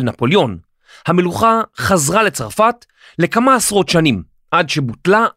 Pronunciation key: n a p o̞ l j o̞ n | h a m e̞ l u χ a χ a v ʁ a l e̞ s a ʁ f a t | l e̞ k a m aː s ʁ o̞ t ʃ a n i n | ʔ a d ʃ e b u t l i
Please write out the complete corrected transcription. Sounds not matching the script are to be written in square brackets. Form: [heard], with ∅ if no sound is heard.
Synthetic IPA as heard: n a p o̞ l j o̞ n | h a m e̞ l u χ a χ a [z] ʁ a l e̞ [t͡s] a ʁ f a t | l e̞ k a m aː s ʁ o̞ t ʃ a n i [m] | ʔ a d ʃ e b u t l [a]